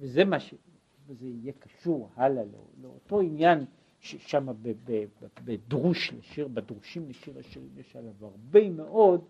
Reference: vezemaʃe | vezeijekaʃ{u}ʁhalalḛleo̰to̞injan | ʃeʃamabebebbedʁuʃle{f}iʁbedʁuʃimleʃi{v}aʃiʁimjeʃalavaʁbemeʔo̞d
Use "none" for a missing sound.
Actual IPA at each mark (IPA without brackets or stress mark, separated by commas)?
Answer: u, ʃ, ʁ